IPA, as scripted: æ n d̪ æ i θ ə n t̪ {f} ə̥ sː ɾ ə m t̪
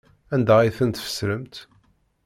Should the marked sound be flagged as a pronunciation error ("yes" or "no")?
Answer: no